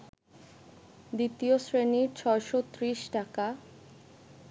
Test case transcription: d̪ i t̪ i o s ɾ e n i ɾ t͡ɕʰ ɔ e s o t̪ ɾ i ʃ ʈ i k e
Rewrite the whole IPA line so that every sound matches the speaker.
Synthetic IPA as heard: d̪ i t̪ i o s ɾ e n i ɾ t͡ɕʰ ɔ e ʃ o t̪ ɾ i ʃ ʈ a k a